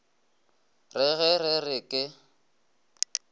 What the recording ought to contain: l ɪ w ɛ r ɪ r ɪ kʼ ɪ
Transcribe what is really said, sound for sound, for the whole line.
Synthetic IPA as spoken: r ɪ ɣ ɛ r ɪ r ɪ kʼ ɪ